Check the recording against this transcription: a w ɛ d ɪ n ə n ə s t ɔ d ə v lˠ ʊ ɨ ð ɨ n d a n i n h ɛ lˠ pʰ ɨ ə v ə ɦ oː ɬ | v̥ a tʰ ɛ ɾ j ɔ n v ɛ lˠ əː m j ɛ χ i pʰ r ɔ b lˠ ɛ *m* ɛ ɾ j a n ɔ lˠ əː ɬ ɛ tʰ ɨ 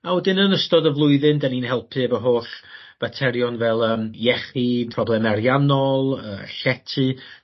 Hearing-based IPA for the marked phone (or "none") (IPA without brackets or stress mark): m